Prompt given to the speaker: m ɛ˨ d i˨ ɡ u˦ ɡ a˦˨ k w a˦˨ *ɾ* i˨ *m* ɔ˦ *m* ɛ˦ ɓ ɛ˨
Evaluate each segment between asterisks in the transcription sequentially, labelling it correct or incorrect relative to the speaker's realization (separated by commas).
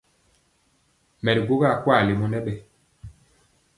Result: incorrect, correct, incorrect